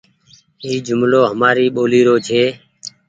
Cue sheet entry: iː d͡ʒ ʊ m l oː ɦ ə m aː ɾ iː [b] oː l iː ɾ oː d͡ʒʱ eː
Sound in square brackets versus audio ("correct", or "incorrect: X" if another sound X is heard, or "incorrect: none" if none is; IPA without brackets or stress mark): incorrect: ɓ